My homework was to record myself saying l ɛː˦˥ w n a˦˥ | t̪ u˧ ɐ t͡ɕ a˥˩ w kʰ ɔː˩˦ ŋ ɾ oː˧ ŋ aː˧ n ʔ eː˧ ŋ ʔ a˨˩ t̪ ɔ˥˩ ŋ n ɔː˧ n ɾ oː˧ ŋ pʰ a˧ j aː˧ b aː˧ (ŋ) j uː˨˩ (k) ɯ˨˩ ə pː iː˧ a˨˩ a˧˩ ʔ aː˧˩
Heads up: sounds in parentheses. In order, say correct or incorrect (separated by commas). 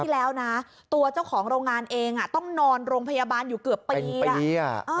incorrect, correct